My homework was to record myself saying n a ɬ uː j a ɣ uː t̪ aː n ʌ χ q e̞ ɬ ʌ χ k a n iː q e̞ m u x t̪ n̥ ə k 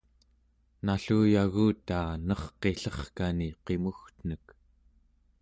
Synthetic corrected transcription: n a ɬ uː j a ɣ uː t̪ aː n ʌ χ q e̞ ɬ ʌ χ k a n i q e̞ m u x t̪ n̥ ə k